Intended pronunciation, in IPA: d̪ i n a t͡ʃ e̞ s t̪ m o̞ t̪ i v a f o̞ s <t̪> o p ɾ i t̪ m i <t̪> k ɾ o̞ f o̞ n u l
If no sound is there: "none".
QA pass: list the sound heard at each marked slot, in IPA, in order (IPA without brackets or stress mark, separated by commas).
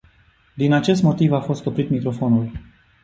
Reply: t̪, none